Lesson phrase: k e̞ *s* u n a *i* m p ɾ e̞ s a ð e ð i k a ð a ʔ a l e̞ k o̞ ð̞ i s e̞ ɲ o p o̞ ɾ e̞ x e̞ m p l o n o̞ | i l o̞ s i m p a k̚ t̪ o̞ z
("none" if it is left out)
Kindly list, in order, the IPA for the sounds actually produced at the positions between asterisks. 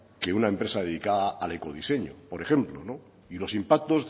none, e

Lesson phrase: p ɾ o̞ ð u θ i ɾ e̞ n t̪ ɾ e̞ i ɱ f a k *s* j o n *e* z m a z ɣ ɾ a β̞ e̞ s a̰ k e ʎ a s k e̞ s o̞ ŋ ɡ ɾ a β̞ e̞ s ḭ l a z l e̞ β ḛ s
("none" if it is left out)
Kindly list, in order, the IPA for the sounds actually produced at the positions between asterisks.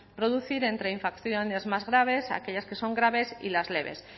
θ, e

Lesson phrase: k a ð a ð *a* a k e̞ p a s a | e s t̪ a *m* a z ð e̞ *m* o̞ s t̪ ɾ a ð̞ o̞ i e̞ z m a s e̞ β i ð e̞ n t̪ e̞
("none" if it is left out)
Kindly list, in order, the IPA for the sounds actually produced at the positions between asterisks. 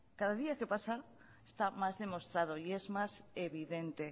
i, m, m

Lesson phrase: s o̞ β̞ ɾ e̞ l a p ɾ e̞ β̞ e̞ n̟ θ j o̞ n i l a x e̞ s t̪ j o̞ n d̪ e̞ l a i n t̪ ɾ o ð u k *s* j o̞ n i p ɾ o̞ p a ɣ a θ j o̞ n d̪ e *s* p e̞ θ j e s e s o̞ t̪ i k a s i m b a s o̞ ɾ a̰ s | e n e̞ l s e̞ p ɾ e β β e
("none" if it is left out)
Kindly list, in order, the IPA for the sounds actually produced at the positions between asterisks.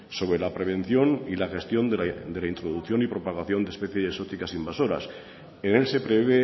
θ, s

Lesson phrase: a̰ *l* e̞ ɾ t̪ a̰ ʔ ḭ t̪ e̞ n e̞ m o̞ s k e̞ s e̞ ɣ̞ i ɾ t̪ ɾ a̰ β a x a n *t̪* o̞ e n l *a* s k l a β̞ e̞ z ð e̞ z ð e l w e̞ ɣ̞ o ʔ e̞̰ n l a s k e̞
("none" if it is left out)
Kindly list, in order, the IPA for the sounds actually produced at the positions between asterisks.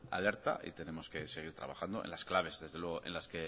l, d̪, a

